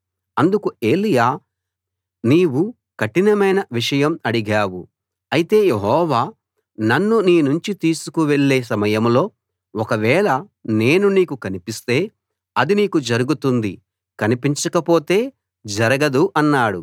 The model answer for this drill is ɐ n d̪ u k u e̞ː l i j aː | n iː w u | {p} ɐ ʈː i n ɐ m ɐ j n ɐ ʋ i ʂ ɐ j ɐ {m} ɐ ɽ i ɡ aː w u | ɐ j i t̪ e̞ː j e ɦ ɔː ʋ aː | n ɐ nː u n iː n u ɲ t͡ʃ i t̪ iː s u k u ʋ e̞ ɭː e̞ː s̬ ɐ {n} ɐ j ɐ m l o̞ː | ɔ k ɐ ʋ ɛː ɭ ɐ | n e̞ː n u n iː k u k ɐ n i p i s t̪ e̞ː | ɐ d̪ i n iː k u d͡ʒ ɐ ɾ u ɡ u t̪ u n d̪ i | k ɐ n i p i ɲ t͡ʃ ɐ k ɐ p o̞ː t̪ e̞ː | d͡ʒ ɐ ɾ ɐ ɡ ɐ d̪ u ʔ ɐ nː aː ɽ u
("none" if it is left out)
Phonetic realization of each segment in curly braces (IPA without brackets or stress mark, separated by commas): k, m, m